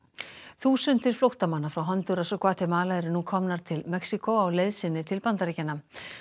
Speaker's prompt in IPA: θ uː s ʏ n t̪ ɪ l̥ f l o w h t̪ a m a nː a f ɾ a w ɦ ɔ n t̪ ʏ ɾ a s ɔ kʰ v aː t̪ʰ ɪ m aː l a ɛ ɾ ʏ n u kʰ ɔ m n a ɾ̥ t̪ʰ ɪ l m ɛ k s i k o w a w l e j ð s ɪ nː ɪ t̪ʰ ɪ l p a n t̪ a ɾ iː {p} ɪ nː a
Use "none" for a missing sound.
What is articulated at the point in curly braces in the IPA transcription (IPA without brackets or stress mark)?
c